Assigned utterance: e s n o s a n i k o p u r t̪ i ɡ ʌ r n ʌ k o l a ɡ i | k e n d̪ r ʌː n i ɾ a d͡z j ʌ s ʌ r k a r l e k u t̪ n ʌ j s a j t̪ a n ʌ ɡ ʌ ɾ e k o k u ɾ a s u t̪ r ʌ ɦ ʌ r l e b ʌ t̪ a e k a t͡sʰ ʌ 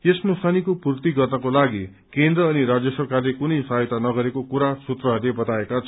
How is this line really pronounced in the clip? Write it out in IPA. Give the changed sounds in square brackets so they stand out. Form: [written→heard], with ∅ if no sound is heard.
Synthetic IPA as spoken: e s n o s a n i k o p u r t̪ i ɡ ʌ r n ʌ k o l a ɡ i | k e n d̪ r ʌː n i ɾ a d͡z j ʌ s ʌ r k a r l e k u [t̪→∅] n ʌ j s a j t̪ a n ʌ ɡ ʌ ɾ e k o k u ɾ a s u t̪ r ʌ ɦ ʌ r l e b ʌ t̪ a e k a t͡sʰ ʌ